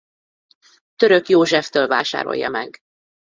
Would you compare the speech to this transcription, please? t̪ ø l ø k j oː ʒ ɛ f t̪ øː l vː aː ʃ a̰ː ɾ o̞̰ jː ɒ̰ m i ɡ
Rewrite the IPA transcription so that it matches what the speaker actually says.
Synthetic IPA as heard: t̪ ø ɾ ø k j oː ʒ ɛ f t̪ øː l v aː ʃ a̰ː ɾ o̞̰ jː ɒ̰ m ɛ ɡ